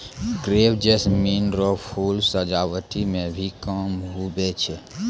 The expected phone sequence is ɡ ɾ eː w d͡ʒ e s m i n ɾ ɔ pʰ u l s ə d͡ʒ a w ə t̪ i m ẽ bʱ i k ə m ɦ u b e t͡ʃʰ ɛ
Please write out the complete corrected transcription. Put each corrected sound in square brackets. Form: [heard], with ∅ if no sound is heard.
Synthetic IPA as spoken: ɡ ɾ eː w d͡ʒ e s m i n ɾ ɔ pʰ u l s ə d͡ʒ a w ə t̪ i m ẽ bʱ i k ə m ɦ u b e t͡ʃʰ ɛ